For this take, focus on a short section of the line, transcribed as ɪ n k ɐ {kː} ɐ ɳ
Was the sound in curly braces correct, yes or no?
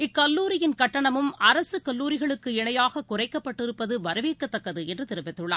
no